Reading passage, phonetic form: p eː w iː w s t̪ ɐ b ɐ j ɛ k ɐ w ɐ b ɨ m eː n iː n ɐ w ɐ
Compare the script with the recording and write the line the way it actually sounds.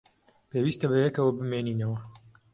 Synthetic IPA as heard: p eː w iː s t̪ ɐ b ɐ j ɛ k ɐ w ɐ b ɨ m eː n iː n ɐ w ɐ